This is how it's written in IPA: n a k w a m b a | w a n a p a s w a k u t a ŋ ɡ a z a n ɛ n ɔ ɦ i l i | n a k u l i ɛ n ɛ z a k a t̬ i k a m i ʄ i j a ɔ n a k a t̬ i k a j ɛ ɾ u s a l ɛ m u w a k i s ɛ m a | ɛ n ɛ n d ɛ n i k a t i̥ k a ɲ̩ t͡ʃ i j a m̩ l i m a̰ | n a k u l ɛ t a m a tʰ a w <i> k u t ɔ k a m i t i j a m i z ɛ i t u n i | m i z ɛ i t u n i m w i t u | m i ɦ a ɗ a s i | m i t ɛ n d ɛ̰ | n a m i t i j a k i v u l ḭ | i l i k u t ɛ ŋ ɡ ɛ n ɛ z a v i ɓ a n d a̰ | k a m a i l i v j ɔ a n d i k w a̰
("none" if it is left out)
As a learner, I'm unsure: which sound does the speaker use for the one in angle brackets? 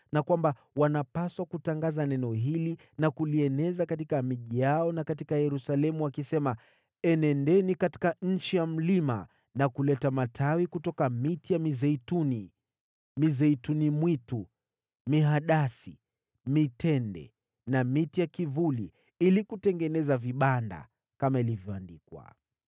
i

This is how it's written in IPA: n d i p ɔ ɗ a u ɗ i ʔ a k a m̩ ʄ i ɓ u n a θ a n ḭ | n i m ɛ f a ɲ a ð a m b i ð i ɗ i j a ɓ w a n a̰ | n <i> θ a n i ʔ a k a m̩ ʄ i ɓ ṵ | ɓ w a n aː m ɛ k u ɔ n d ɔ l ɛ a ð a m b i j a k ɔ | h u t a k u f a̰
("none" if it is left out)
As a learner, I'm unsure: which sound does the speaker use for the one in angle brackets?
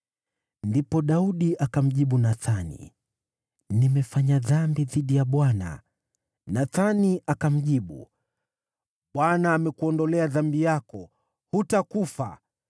a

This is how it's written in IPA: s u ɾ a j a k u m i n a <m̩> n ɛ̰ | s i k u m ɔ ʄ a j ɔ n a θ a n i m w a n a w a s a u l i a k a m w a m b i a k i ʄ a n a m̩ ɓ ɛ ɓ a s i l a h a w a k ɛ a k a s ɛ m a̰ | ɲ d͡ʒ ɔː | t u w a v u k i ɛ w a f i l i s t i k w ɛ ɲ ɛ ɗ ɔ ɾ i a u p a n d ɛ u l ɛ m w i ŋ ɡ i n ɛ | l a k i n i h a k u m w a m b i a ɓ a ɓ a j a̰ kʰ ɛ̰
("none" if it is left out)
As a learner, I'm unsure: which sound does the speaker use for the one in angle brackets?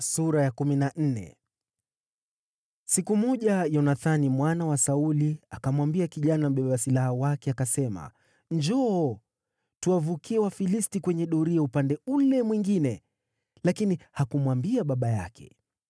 n̩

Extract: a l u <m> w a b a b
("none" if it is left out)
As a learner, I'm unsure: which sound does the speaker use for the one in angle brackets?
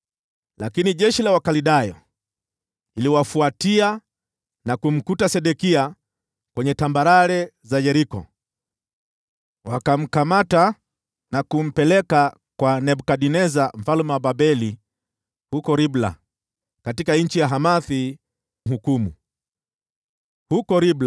m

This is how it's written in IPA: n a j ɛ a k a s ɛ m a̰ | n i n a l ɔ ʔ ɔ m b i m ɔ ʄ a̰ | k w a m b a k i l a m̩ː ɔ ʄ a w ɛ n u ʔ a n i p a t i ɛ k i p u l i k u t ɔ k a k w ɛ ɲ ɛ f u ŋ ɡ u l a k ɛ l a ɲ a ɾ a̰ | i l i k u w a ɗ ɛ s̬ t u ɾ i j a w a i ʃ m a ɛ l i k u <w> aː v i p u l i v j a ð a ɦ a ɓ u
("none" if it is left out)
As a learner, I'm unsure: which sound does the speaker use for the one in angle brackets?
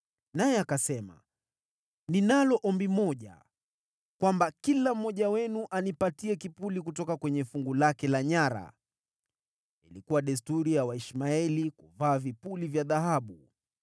v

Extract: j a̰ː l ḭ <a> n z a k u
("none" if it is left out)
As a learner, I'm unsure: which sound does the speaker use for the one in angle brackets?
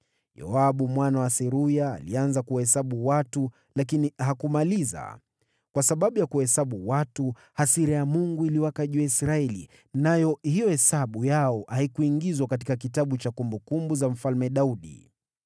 a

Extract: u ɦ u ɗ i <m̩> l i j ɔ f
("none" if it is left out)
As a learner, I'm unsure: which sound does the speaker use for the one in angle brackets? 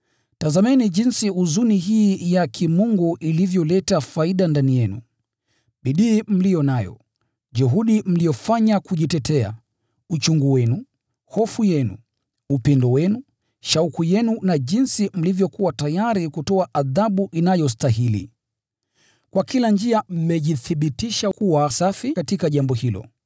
m̩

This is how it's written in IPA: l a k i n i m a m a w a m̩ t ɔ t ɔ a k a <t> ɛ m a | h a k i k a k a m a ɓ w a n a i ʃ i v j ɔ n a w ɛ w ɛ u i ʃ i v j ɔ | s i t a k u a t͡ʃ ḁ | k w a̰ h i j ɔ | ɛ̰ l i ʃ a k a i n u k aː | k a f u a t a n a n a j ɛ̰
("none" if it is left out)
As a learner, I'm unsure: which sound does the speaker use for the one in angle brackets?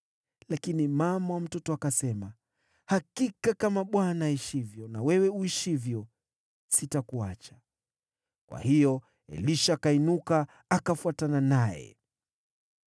s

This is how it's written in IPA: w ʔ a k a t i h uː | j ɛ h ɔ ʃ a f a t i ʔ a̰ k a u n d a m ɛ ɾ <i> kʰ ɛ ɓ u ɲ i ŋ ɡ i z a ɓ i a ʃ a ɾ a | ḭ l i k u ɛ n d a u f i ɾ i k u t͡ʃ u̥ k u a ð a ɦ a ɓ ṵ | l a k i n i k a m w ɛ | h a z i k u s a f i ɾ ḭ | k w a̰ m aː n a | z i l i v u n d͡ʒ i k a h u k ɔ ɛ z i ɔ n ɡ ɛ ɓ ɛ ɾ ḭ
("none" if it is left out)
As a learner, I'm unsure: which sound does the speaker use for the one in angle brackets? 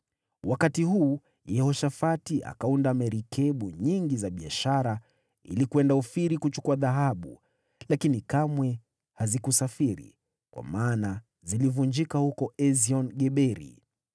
i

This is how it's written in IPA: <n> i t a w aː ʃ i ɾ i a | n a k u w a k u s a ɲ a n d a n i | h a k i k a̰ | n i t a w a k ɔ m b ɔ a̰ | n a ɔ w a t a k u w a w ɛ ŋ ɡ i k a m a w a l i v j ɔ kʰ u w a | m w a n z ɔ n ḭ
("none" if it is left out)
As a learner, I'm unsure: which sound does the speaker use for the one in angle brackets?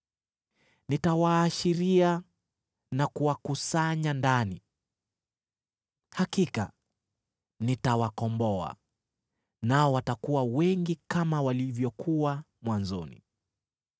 n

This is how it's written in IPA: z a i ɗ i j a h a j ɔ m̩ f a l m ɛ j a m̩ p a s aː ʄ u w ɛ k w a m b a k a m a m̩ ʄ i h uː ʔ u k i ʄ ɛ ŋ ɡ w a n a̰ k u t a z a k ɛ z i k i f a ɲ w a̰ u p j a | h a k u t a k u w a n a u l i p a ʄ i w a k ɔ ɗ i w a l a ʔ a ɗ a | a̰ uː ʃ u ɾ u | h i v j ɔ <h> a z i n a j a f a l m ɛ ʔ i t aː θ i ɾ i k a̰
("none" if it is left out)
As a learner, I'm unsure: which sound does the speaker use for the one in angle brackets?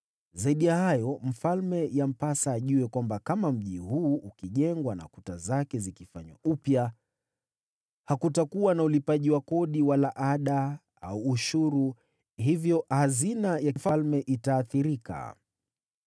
h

